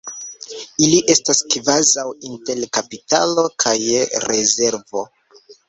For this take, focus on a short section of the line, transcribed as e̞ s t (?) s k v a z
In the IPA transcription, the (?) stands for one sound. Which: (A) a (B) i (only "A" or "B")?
A